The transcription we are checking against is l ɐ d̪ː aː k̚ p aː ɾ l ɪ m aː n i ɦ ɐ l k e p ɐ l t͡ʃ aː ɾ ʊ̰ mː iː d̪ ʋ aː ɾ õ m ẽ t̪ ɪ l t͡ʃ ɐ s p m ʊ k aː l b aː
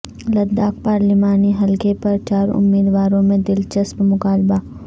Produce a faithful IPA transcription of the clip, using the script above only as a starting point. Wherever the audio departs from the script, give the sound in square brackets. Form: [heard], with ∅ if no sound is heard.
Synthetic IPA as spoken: l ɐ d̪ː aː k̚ p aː ɾ l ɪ m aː n i ɦ ɐ l k e p ɐ [ɾ] t͡ʃ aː ɾ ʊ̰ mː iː d̪ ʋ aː ɾ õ m ẽ [d̪] ɪ l t͡ʃ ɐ s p m ʊ k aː l b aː

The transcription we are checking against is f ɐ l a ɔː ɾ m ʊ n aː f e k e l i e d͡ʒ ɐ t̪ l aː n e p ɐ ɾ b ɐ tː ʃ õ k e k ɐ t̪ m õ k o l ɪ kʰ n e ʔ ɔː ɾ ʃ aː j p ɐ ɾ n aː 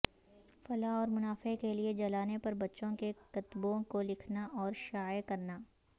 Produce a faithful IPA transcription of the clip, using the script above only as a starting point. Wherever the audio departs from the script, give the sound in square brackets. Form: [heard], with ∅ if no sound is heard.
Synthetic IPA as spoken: f ɐ l a ɔː ɾ m ʊ n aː f e k e l i e d͡ʒ ɐ [∅] l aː n e p ɐ ɾ b ɐ tː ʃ õ k e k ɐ t̪ [b] õ k o l ɪ kʰ n [a] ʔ ɔː ɾ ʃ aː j [k] ɐ ɾ n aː

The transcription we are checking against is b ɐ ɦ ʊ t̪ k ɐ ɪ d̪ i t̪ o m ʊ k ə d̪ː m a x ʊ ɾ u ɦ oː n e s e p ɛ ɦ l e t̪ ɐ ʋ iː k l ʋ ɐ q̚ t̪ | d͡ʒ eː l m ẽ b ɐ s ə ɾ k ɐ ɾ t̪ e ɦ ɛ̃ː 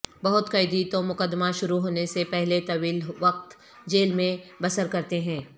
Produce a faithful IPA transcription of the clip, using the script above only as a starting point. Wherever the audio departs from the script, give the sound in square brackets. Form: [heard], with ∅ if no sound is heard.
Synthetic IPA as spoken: b ɐ ɦ ʊ t̪ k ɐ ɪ d̪ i t̪ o m ʊ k ə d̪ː m a [ʃ] ʊ ɾ u ɦ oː n e s e p ɛ ɦ l e t̪ ɐ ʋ iː [∅] l ʋ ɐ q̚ t̪ | d͡ʒ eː l m ẽ b ɐ s ə ɾ k ɐ ɾ t̪ e ɦ ɛ̃ː

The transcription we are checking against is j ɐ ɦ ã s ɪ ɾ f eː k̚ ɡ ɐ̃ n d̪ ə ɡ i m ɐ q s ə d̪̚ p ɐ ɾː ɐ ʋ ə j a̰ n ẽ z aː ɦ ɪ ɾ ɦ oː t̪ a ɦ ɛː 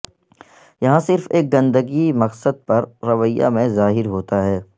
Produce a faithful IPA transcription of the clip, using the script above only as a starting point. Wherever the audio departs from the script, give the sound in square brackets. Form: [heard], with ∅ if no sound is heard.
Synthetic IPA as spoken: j ɐ ɦ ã s ɪ ɾ f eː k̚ ɡ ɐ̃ n d̪ ə ɡ i m ɐ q s ə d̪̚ p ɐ ɾː ɐ ʋ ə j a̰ [m] ẽ z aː ɦ ɪ ɾ ɦ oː t̪ a ɦ ɛː

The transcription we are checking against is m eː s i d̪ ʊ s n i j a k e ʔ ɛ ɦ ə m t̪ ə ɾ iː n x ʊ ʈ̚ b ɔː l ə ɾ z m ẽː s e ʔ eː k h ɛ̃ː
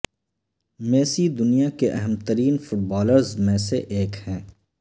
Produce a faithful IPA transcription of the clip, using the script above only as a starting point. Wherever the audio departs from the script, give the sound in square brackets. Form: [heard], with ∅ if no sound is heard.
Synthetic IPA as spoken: m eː s i d̪ ʊ [∅] n i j a k e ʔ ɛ ɦ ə m t̪ ə ɾ iː n [f] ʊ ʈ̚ b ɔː l ə ɾ z m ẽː s e ʔ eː k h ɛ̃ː

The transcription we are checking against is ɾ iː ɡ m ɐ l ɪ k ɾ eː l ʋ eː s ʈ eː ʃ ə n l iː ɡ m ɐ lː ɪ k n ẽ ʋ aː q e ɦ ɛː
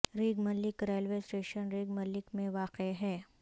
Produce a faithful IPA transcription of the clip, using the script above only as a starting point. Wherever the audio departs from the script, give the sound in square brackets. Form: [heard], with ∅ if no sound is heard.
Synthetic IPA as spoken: ɾ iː ɡ m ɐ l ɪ k ɾ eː l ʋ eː s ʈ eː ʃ ə n [ɾ] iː ɡ m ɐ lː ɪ k [m] ẽ ʋ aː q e ɦ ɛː

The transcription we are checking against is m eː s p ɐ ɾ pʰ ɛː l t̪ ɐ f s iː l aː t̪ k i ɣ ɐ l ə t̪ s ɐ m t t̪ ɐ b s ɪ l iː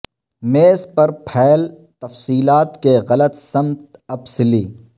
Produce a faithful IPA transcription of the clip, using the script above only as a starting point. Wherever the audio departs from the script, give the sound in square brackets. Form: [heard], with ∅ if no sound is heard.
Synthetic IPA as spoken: m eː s p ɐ ɾ pʰ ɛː l t̪ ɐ f s iː l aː t̪ k [e] ɣ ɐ l ə t̪ s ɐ m t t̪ ɐ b s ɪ l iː

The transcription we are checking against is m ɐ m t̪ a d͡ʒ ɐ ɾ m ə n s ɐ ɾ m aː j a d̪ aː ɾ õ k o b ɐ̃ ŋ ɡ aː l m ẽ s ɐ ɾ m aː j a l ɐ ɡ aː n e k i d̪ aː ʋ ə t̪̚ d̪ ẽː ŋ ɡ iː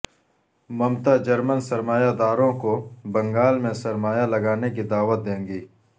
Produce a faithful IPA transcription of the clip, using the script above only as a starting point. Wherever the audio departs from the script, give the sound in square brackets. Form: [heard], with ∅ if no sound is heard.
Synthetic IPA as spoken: m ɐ m t̪ a d͡ʒ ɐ ɾ m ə n s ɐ ɾ m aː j a d̪ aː ɾ õ k o b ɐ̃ ŋ ɡ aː l m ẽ s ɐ ɾ m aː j a l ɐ ɡ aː n e k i d̪ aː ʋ ə t̪̚ d̪ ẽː ŋ ɡ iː

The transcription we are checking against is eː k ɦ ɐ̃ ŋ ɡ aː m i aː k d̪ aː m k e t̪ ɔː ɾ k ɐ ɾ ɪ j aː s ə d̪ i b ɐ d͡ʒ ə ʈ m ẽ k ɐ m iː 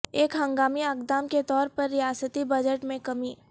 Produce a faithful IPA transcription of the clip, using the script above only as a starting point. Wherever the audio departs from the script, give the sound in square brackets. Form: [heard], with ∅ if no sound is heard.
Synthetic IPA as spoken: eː k ɦ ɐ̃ ŋ ɡ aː m i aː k d̪ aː m k e t̪ ɔː ɾ [p] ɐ [ɾː] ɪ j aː s ə [t̪] i b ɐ d͡ʒ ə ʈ m ẽ k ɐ m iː

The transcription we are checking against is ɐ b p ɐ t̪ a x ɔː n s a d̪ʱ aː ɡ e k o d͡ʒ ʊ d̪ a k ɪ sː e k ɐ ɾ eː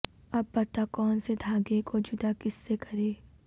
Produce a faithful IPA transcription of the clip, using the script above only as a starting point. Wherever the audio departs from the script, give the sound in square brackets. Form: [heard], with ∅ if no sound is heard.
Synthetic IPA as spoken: ɐ b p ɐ t̪ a [k] ɔː n s [e] d̪ʱ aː ɡ e k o d͡ʒ ʊ d̪ a k ɪ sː e k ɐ ɾ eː

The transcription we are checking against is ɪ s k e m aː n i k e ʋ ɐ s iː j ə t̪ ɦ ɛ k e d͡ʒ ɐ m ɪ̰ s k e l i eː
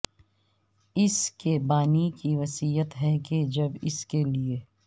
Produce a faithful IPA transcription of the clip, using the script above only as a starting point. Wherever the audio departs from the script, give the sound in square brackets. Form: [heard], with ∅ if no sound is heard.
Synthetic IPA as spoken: ɪ s k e [b] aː n i k [i] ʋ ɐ s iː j ə t̪ ɦ ɛ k e d͡ʒ ɐ [b] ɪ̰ s k e l i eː

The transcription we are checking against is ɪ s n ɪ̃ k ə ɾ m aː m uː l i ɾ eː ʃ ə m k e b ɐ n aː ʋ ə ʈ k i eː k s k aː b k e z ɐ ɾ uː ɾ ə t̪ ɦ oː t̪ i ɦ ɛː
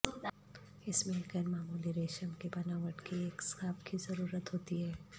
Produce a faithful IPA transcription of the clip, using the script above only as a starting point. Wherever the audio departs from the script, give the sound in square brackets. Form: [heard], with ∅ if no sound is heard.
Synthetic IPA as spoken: ɪ s [m] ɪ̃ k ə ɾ m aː m uː l i ɾ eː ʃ ə m k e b ɐ n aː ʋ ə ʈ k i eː k s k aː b k [i] z ɐ ɾ uː ɾ ə t̪ ɦ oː t̪ i ɦ ɛː

